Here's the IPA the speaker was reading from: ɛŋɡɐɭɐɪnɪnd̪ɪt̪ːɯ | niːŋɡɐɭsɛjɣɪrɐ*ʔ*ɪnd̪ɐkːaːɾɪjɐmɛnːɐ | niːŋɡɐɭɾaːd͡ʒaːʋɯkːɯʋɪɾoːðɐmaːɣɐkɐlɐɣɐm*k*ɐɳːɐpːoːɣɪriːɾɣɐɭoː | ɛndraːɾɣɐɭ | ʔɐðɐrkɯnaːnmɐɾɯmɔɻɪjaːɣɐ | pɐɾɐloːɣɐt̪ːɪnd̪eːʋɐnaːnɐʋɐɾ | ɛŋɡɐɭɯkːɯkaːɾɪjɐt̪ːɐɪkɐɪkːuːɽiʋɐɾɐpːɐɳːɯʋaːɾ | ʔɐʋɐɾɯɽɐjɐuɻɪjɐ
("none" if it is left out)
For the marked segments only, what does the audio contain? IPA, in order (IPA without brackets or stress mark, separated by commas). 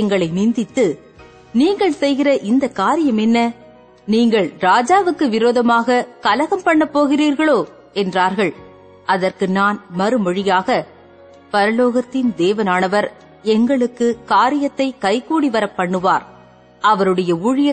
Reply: ʔ, p